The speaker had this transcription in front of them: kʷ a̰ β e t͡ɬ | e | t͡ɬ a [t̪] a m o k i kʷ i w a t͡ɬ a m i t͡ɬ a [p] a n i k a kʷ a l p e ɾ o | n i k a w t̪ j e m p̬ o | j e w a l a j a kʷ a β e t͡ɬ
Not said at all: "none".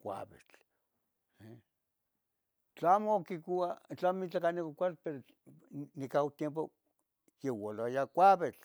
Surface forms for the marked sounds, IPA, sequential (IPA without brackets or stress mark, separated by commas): none, k